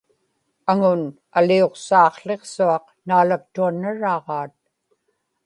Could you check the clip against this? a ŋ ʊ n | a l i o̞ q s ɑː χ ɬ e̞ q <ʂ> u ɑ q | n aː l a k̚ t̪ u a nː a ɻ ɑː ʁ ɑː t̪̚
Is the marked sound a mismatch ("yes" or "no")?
yes